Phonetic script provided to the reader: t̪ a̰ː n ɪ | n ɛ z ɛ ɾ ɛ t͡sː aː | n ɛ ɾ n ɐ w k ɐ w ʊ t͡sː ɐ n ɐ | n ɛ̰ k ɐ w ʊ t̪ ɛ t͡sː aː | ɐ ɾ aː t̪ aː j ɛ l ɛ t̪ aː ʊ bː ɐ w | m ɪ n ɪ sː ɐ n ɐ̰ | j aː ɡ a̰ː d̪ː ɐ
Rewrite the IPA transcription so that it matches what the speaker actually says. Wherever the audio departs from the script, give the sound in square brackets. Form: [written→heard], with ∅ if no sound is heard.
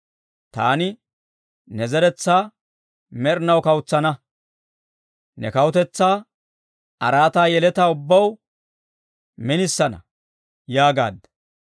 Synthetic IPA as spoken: t̪ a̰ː n ɪ | n ɛ z ɛ ɾ ɛ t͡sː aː | [n→m] ɛ ɾ n ɐ w k ɐ w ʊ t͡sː ɐ n ɐ | n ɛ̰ k ɐ w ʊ t̪ ɛ t͡sː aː | ɐ ɾ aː t̪ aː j ɛ l ɛ t̪ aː ʊ bː ɐ w | m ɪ n ɪ sː ɐ n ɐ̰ | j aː ɡ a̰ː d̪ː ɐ